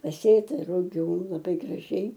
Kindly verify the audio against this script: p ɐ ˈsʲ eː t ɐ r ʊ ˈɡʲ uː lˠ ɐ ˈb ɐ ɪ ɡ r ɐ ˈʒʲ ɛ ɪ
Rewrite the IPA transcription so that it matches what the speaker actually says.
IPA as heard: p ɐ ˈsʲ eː t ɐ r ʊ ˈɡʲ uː lˠ ɐ ˈb ɐ ɪ ɡ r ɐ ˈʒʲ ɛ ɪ